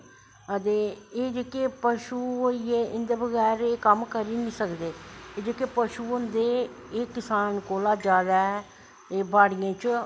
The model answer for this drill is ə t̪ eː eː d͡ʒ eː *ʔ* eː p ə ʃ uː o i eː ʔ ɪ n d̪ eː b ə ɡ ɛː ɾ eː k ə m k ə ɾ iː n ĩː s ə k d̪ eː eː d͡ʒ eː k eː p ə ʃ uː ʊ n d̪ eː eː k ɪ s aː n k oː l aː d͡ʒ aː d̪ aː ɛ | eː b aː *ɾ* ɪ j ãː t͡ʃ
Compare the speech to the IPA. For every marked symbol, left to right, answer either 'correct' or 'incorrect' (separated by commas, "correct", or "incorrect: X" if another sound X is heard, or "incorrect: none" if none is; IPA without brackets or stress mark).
incorrect: k, incorrect: ɽ